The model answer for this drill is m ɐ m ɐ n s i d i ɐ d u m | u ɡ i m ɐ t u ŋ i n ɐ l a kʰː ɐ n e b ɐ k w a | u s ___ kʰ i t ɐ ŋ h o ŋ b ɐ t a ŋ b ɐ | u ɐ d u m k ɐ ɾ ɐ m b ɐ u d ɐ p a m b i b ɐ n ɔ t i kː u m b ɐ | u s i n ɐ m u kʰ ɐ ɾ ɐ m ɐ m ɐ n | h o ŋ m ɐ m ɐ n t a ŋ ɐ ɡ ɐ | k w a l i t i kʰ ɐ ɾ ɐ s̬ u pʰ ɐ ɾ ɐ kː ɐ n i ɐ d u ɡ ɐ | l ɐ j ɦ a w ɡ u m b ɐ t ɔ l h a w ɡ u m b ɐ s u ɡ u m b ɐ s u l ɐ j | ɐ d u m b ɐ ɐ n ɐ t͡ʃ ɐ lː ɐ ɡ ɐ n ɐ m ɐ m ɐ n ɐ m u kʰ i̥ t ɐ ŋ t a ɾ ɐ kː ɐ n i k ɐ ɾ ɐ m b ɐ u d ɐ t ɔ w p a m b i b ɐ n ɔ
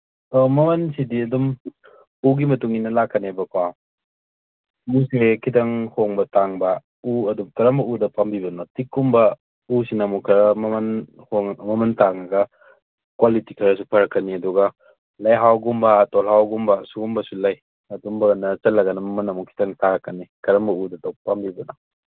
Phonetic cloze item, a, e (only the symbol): e